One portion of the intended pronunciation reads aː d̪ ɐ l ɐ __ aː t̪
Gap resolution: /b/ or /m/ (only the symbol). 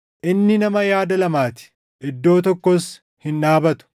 m